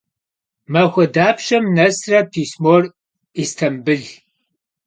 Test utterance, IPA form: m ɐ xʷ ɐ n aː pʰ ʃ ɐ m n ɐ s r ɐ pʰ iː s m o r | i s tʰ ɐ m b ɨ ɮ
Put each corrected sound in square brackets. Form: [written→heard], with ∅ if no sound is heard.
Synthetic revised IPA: m ɐ xʷ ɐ [n→d] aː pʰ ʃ ɐ m n ɐ s r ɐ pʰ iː s m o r | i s tʰ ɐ m b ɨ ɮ

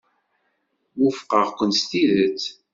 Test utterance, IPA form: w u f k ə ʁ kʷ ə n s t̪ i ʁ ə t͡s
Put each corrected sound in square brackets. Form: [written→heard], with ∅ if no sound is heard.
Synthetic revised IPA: w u f [k→q] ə ʁ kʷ ə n s t̪ i [ʁ→ð] ə t͡s

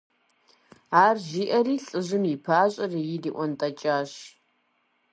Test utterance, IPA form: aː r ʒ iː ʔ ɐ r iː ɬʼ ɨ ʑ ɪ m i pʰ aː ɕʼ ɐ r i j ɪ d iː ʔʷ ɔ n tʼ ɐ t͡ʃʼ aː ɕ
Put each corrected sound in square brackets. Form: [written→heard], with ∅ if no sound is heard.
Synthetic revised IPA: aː r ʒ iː ʔ ɐ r iː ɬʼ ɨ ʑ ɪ m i pʰ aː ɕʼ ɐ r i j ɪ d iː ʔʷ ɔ n tʼ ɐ t͡ʃʼ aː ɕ

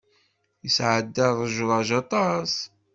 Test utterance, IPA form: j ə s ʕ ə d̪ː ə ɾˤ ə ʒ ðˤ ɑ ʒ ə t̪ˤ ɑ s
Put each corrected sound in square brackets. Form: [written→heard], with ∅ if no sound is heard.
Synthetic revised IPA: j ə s ʕ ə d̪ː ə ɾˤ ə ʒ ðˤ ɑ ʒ [ə→ɑ] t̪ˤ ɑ s

